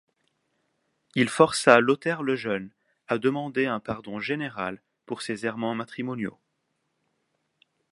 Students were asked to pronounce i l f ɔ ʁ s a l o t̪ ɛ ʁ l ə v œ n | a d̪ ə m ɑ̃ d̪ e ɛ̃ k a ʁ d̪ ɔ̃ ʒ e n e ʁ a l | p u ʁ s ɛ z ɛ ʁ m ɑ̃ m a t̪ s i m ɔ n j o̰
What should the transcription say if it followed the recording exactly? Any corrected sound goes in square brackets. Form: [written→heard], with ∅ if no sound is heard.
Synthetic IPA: i l f ɔ ʁ s a l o t̪ ɛ ʁ l ə [v→ʒ] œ n | a d̪ ə m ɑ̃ d̪ e ɛ̃ [k→p] a ʁ d̪ ɔ̃ ʒ e n e ʁ a l | p u ʁ s [ɛ→e] z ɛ ʁ m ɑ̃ m a t̪ [s→χ] i m ɔ n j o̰